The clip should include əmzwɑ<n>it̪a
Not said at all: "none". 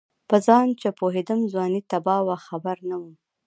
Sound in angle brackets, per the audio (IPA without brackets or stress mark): n